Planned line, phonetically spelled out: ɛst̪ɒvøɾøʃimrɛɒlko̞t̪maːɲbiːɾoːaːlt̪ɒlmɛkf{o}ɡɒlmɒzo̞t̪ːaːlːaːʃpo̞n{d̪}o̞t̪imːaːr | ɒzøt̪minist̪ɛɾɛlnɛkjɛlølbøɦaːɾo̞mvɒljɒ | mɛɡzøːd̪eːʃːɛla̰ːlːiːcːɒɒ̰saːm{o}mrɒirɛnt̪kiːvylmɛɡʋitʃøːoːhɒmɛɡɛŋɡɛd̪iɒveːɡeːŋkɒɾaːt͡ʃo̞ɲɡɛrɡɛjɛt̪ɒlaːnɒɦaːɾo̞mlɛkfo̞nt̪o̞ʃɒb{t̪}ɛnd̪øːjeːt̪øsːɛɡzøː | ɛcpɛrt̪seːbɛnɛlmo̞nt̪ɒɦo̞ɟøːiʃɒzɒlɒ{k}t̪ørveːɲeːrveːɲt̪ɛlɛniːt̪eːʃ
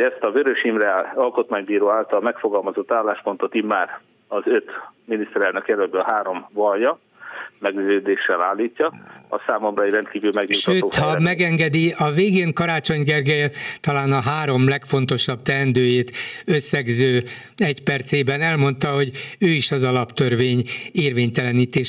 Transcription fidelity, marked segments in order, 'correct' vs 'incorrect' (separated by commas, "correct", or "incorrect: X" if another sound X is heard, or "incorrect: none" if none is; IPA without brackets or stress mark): correct, incorrect: t̪, correct, correct, incorrect: p